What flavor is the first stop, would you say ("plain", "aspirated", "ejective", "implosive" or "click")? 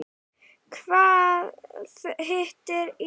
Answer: aspirated